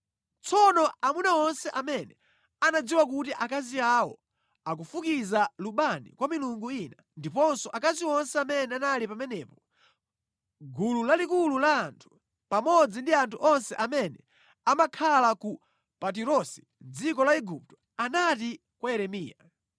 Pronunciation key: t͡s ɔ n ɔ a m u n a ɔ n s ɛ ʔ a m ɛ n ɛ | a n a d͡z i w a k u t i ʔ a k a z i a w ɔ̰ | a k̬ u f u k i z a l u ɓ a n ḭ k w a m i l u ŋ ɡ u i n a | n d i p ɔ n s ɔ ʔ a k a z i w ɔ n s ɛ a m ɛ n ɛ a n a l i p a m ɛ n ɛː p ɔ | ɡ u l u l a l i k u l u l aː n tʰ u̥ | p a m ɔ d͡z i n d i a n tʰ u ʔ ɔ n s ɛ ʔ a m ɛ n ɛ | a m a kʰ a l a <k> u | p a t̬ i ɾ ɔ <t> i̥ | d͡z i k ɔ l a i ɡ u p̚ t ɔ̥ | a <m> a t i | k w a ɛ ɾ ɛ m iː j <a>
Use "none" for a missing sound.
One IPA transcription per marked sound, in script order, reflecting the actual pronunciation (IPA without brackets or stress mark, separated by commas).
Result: k, s, n, a